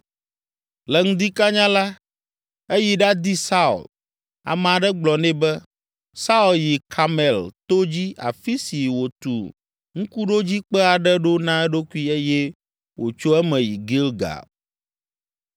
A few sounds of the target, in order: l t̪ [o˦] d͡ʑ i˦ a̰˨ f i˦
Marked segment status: correct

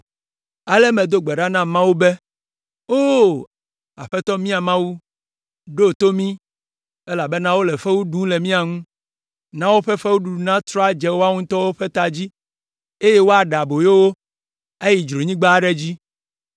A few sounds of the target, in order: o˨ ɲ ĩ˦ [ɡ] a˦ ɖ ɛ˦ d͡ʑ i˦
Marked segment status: incorrect: ɡ͡b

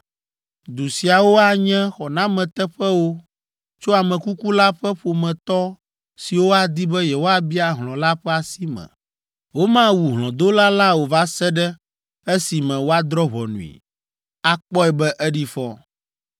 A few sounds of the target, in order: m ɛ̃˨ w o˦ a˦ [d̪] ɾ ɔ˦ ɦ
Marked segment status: correct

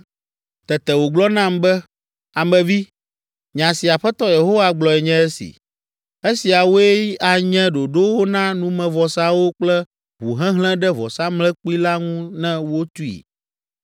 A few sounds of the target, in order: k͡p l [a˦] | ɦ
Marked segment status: incorrect: ɛ˦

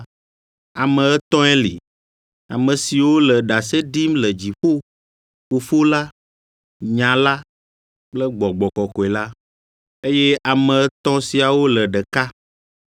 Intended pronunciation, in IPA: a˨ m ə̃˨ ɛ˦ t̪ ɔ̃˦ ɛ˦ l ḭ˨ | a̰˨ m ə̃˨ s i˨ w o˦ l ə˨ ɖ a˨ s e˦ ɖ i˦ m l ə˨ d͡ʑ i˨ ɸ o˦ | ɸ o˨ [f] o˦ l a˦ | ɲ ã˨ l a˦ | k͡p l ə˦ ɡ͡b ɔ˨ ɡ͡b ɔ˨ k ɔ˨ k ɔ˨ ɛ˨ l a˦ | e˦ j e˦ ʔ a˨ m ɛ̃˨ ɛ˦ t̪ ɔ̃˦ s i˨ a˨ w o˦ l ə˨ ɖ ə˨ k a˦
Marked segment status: correct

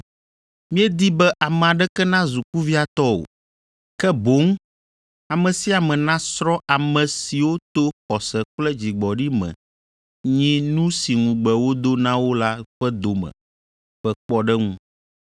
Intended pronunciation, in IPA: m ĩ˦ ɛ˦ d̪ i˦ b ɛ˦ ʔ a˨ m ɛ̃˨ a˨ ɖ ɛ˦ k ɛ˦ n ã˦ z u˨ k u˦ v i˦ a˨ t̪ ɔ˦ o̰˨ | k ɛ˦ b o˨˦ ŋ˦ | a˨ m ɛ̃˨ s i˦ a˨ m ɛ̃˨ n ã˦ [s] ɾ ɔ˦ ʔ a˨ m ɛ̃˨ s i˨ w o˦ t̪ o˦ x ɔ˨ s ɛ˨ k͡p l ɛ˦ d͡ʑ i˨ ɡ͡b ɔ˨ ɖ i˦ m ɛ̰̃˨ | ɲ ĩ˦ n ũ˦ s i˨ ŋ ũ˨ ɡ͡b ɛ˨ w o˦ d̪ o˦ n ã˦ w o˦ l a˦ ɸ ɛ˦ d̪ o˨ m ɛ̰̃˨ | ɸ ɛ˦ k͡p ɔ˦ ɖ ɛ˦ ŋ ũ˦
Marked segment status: correct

